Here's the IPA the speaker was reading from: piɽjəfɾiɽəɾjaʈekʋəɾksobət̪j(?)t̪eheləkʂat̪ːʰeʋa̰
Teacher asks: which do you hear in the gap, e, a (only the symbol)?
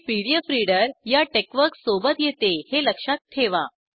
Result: e